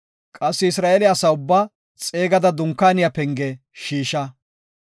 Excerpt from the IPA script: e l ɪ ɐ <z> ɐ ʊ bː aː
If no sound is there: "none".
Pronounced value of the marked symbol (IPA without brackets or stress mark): s